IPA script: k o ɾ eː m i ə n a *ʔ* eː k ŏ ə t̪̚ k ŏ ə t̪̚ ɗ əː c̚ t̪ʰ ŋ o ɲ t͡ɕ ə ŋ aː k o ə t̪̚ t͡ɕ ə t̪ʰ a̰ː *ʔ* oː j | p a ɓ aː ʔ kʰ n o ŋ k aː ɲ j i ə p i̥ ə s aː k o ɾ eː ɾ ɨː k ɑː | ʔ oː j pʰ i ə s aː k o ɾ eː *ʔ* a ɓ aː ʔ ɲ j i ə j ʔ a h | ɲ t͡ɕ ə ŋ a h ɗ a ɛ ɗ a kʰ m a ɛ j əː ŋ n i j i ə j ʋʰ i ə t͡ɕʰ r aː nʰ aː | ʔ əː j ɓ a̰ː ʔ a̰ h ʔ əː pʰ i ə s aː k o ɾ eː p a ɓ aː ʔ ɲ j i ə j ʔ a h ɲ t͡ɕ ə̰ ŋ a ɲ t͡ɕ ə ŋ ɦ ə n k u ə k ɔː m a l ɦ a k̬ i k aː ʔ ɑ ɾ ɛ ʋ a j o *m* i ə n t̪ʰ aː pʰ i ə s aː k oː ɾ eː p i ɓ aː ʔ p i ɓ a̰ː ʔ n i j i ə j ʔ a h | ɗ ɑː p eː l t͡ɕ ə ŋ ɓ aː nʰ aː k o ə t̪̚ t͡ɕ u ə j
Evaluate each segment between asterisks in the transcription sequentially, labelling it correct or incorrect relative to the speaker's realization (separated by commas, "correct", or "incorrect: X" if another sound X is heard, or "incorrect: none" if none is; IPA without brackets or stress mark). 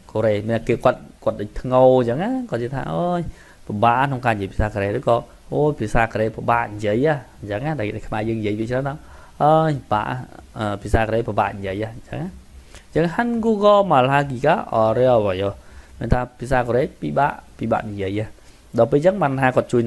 incorrect: k, correct, incorrect: p, correct